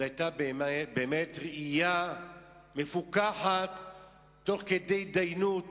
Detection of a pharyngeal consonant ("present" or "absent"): present